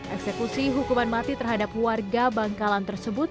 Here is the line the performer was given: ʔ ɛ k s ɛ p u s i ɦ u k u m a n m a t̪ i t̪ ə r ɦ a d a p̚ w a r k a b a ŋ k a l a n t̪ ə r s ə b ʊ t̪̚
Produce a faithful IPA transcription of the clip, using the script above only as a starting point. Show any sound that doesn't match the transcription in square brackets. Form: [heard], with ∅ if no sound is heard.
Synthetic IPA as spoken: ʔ ɛ k s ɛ [k] u s i ɦ u k u m a n m a t̪ i t̪ ə r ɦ a d a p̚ w a r [ɡ] a b a ŋ k a l a n t̪ ə r s ə b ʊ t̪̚